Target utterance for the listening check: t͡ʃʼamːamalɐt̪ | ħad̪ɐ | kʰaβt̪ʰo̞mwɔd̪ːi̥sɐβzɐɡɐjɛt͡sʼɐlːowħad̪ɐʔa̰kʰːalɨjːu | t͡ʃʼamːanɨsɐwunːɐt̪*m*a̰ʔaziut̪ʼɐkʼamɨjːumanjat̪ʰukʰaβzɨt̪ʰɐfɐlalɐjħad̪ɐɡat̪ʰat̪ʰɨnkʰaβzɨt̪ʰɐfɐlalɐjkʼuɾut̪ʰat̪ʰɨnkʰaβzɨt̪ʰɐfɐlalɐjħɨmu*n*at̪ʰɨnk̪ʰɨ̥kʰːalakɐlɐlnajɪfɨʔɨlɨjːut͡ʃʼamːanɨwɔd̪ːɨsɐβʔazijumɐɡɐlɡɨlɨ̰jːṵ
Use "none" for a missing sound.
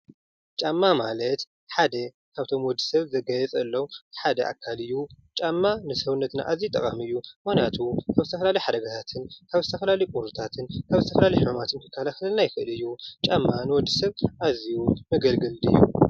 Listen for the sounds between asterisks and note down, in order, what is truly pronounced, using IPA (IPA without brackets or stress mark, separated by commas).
n, m